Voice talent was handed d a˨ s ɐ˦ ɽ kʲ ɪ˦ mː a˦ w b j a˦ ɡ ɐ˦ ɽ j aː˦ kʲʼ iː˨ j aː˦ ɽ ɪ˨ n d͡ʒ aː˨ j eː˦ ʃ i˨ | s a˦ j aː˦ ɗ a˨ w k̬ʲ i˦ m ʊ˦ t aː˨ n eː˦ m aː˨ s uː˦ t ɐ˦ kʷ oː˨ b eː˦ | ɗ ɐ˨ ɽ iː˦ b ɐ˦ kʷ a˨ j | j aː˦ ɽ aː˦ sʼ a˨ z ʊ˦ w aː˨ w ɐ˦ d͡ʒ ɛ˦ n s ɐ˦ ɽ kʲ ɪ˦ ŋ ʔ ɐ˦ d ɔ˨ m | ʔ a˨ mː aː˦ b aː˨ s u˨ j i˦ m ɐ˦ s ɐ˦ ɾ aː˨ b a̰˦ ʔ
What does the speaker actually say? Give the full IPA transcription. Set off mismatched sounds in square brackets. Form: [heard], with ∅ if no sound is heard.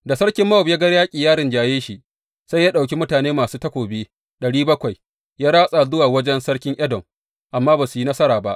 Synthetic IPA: d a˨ s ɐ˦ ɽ kʲ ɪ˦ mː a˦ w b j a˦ ɡ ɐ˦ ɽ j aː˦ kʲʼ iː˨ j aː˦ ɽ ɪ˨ n d͡ʒ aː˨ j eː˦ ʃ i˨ | s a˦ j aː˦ ɗ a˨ w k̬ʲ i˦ m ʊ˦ t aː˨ n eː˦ m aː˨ s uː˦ t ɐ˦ kʷ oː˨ b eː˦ | ɗ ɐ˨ ɽ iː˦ b ɐ˦ kʷ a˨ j | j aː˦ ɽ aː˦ sʼ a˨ z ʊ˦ w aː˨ w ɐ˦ d͡ʒ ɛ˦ n s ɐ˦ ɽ kʲ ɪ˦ ŋ ʔ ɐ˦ d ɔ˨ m | ʔ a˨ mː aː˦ b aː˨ s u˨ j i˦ [n] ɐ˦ s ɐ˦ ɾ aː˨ b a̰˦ ʔ